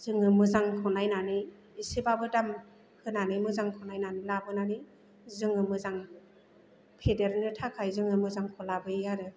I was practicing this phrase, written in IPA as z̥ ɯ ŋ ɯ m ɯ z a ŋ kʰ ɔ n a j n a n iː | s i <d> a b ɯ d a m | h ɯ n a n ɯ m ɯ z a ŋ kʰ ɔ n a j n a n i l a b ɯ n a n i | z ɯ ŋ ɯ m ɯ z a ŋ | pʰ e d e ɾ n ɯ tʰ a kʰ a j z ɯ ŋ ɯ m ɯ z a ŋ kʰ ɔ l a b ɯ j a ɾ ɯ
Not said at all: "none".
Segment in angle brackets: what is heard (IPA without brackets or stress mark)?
b